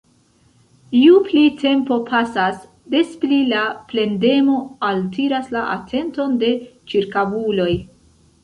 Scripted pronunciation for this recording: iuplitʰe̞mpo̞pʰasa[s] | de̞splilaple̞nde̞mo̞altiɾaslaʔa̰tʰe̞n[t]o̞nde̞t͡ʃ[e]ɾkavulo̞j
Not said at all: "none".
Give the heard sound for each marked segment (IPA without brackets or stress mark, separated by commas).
s, t, i